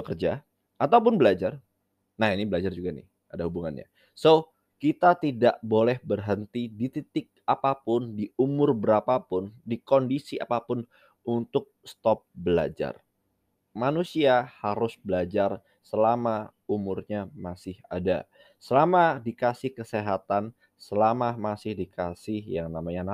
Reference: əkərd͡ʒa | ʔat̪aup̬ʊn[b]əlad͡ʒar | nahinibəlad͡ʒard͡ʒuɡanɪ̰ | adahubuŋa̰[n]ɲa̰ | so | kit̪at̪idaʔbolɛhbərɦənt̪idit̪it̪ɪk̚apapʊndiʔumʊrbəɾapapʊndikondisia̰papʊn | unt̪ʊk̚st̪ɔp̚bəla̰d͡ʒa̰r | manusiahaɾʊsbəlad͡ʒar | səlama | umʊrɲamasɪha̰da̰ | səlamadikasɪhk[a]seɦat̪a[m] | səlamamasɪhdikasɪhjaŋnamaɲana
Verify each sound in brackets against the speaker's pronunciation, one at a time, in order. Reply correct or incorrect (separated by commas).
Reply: correct, correct, incorrect, incorrect